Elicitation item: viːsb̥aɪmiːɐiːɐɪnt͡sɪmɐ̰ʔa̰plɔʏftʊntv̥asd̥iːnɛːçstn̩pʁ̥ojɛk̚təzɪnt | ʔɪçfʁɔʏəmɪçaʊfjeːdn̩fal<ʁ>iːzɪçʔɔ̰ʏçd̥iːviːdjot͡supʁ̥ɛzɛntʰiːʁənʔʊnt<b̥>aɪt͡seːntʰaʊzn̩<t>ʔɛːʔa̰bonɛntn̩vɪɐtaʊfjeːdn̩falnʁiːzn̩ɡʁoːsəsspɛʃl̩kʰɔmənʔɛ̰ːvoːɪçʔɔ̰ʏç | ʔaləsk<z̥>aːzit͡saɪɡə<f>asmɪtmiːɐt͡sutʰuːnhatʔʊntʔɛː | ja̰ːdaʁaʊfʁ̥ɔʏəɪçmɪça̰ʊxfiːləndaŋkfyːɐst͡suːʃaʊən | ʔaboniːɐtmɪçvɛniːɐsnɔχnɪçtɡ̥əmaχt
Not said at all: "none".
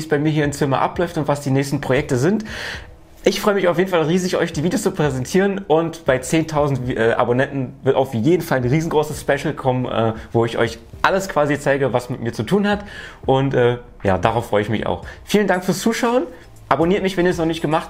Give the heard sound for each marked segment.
ʁ, b̥, t, v̥, v

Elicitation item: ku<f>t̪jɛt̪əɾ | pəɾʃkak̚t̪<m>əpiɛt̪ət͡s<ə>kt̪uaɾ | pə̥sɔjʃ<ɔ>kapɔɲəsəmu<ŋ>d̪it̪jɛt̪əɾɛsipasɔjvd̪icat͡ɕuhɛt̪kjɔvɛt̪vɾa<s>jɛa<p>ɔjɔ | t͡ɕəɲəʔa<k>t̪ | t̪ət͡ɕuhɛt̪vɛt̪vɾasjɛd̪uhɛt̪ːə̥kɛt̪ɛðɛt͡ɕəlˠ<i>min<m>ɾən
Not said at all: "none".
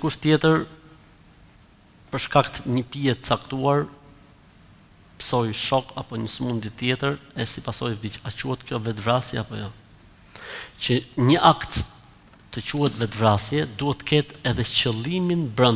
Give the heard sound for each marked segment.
ʃ, ɲ, a, ɔ, n, s, p, k, i, b

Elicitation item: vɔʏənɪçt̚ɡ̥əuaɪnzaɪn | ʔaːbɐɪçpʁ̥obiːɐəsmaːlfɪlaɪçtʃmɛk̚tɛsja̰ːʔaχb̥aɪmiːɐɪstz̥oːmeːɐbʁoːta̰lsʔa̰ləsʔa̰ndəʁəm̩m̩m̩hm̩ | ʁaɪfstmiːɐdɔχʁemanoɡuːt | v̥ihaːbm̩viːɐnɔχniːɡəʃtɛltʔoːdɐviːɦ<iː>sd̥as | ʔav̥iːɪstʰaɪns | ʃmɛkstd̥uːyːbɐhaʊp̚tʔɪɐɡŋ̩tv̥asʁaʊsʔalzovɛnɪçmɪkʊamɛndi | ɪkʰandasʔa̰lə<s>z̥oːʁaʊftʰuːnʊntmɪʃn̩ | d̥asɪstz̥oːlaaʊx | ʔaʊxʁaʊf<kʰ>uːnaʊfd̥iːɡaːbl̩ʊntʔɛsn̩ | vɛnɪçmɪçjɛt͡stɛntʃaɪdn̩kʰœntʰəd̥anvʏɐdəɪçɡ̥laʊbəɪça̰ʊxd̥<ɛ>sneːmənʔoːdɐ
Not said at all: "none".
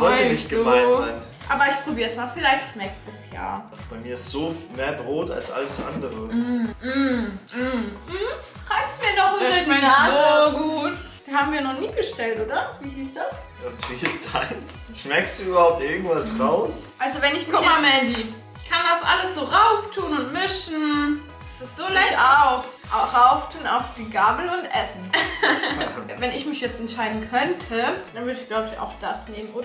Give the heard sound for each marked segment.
iː, s, tʰ, a

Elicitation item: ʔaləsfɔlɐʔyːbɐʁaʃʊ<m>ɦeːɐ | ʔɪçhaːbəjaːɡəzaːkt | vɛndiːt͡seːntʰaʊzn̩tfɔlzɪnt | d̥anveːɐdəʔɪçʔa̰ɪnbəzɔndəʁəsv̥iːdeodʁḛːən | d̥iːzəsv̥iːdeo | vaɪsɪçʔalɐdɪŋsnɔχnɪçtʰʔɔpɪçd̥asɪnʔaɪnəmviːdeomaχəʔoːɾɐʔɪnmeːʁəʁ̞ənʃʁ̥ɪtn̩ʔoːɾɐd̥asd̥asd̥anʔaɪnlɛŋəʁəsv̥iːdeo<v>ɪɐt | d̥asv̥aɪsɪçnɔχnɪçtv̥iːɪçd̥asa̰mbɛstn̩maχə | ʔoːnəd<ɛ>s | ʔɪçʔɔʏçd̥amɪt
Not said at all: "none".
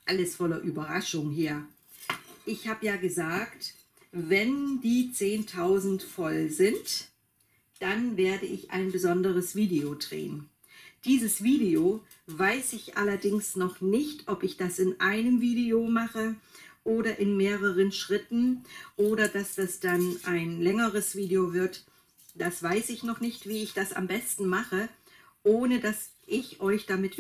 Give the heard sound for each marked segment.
ŋ, v, a

